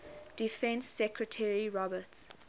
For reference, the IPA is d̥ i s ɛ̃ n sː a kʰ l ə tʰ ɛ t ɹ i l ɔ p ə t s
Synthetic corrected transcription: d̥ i f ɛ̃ n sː ɛ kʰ ɹ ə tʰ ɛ ɹ i ɹ ɔ b ə t s